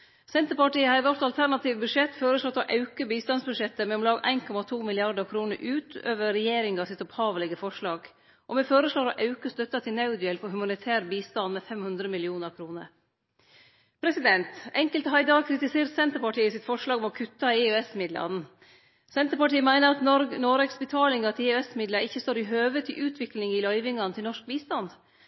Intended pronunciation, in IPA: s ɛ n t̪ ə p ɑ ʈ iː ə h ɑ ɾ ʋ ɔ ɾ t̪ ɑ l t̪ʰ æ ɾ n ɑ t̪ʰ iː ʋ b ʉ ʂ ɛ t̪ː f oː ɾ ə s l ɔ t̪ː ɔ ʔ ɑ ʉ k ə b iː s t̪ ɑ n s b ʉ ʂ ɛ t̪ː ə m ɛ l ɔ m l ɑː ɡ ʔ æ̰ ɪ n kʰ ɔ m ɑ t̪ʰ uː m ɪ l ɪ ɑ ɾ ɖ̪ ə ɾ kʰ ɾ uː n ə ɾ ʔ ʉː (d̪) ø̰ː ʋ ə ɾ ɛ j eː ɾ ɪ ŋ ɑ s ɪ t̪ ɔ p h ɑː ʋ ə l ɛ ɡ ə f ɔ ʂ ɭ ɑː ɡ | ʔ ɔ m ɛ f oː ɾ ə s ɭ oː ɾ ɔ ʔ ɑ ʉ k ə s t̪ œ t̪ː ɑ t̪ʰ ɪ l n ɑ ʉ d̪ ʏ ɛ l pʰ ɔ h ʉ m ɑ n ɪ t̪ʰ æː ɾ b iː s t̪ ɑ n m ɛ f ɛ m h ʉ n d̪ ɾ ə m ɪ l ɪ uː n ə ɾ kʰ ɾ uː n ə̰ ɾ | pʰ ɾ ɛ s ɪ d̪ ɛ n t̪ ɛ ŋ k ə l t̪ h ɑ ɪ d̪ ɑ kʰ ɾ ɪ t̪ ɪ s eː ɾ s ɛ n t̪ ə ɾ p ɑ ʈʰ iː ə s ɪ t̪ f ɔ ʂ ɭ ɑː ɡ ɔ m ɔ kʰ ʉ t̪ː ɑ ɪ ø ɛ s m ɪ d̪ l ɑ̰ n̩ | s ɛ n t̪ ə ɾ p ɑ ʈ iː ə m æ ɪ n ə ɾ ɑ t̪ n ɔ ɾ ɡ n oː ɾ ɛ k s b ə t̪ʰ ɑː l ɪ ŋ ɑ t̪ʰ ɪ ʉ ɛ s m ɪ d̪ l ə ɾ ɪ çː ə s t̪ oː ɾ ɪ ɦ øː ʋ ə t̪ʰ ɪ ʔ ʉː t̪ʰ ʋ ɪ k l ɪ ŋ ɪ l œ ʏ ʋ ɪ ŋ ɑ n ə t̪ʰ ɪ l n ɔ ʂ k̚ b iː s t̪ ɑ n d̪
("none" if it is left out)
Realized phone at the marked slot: t̪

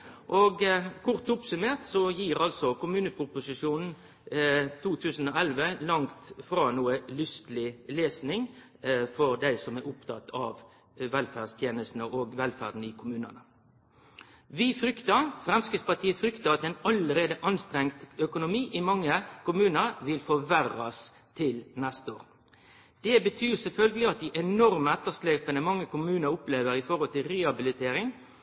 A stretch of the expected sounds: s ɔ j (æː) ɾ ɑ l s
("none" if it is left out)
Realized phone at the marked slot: iː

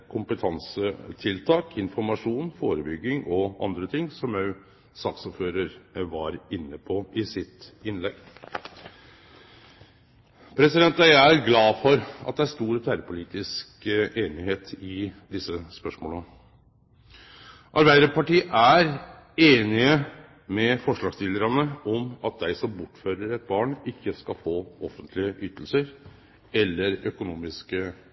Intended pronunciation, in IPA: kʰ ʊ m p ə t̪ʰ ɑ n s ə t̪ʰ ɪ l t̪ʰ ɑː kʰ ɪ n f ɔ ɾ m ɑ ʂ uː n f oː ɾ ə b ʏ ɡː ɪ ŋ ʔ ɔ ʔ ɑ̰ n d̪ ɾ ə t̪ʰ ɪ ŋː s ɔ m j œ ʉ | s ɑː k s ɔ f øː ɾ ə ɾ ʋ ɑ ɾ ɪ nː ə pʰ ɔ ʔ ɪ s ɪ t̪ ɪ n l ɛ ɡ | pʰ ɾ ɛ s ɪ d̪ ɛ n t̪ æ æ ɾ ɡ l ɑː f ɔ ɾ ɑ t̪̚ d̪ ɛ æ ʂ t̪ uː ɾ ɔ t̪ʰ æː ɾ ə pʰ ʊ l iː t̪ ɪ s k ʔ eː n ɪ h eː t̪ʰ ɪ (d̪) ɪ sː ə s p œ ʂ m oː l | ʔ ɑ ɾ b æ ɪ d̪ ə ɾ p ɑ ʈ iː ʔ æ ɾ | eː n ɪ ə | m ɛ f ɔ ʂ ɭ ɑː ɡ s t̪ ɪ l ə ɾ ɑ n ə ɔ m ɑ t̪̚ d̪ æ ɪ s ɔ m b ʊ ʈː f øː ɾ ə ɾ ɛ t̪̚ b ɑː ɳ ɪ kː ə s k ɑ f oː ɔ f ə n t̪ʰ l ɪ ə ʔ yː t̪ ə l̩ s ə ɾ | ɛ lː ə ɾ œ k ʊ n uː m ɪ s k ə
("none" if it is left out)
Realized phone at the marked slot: d̪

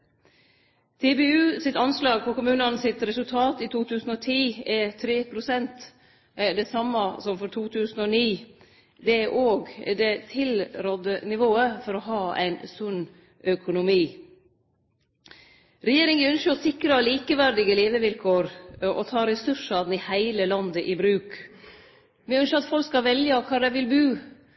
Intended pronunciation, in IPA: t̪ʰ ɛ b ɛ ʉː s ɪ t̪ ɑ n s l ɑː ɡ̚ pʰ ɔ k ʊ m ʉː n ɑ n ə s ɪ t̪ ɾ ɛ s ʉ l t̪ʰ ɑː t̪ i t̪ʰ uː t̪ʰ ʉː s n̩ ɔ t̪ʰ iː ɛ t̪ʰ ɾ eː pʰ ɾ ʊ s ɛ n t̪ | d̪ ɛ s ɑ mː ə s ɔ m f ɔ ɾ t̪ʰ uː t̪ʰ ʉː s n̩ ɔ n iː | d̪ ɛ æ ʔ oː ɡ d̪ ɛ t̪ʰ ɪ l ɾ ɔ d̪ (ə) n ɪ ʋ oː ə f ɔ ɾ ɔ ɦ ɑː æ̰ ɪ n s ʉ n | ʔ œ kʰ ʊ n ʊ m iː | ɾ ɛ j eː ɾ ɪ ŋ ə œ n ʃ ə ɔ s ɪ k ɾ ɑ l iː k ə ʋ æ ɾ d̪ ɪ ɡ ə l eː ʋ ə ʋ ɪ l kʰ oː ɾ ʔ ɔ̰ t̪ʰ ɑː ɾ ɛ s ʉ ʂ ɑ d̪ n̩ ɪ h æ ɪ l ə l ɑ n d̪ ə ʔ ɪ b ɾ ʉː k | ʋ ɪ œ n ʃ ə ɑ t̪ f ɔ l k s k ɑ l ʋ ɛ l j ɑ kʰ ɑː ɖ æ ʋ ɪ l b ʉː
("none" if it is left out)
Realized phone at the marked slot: ə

